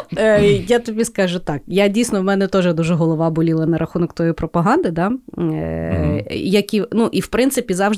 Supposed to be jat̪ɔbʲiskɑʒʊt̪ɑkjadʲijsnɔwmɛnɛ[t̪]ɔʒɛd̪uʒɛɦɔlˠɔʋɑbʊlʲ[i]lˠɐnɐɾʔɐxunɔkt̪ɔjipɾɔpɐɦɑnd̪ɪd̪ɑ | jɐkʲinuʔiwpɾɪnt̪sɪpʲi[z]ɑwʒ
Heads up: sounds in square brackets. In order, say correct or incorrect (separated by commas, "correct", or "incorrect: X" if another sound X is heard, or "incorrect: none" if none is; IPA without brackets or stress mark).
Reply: correct, correct, correct